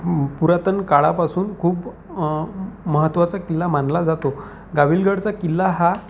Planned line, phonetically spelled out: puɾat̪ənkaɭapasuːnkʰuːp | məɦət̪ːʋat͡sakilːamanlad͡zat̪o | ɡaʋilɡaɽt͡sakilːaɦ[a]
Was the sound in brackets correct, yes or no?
yes